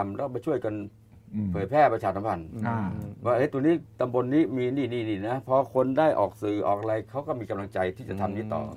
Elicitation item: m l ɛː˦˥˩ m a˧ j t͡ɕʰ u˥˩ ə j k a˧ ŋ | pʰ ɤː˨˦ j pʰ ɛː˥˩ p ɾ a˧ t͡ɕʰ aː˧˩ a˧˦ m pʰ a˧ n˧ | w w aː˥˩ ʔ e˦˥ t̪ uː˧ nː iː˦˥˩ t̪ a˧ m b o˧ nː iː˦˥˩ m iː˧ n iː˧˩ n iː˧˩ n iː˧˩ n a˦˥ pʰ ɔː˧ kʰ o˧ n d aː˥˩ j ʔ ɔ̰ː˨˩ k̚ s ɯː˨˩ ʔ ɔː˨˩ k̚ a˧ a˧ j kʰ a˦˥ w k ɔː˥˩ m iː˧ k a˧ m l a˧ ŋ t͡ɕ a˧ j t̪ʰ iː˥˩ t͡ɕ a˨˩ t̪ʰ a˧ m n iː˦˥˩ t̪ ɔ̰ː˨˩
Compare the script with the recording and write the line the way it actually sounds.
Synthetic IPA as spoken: m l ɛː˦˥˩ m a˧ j t͡ɕʰ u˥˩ ə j k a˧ n | pʰ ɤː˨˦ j pʰ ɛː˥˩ p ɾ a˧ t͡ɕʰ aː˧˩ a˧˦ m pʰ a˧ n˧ | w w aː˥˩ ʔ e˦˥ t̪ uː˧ n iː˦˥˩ t̪ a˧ m b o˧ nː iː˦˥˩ m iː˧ n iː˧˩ n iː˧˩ n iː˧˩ n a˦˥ pʰ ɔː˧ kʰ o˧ n d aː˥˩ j ʔ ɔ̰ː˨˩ k̚ s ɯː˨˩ ʔ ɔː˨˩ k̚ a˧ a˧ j kʰ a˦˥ w k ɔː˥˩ m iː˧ k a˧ m l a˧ ŋ t͡ɕ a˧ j t̪ʰ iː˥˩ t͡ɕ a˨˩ t̪ʰ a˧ m n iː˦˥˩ t̪ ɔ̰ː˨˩